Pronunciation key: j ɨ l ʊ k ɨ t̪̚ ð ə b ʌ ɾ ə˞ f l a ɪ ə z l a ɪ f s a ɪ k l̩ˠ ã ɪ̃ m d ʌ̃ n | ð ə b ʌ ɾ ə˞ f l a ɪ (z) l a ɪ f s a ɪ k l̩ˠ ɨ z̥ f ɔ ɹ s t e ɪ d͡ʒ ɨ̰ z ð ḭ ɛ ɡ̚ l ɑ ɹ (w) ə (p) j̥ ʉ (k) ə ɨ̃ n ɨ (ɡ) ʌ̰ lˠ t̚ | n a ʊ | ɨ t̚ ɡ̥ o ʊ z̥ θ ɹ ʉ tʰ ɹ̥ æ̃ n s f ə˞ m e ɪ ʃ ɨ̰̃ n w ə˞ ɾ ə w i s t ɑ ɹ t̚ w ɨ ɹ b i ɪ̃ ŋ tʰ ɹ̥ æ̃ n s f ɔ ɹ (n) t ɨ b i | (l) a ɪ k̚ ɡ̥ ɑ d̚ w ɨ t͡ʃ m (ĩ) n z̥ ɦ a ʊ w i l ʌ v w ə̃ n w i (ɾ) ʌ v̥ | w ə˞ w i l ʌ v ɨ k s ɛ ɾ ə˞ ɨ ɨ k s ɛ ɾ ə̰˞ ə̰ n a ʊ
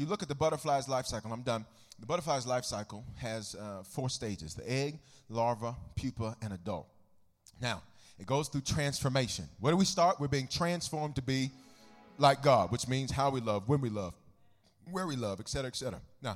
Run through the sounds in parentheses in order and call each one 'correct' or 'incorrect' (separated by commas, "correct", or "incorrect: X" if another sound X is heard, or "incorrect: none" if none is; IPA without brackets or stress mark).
correct, incorrect: v, incorrect: pʰ, incorrect: p, incorrect: d, incorrect: m, correct, correct, incorrect: l